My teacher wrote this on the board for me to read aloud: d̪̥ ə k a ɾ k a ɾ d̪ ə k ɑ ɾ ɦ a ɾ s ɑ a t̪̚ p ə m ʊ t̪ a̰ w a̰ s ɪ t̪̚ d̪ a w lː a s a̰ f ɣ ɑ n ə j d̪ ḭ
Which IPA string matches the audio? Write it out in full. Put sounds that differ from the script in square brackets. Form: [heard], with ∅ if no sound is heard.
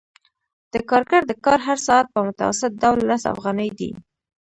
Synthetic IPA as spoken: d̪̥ ə k [ɑ] ɾ k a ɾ d̪ ə k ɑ ɾ ɦ a ɾ s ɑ a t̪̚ p ə m ʊ t̪ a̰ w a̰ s ɪ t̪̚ d̪ a w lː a s a̰ f ɣ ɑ n ə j d̪ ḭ